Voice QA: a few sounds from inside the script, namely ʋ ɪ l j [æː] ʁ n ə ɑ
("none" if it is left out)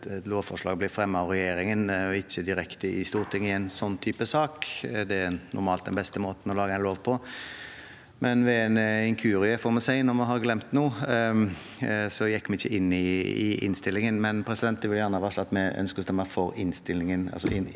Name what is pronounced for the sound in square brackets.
æ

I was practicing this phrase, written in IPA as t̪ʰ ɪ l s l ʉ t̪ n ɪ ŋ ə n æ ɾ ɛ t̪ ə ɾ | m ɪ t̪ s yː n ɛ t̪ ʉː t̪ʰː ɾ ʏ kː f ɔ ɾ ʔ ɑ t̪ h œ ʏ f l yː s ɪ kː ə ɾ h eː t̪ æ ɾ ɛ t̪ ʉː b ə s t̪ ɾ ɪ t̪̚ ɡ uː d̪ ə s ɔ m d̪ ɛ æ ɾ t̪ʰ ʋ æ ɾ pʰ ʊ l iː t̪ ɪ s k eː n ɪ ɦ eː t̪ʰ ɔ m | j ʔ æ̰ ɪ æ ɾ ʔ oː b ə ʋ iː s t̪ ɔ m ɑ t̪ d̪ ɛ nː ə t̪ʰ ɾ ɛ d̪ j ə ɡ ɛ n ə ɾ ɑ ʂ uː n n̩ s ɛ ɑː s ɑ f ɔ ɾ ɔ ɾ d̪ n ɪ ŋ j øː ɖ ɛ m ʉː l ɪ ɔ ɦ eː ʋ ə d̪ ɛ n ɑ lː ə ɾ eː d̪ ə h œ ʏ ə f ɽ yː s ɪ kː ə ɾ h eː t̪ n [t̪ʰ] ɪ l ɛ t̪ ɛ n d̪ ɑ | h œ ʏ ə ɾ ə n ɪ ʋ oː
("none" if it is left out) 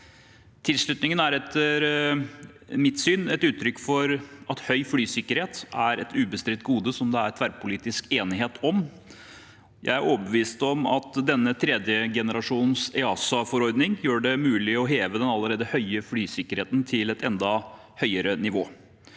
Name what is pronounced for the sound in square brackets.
t̪ʰ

